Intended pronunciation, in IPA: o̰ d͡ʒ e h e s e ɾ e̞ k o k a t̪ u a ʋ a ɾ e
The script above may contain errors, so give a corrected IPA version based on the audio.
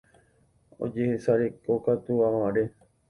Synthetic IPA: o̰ d͡ʒ e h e s a ɾ e̞ k o k a t̪ u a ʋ a ɾ e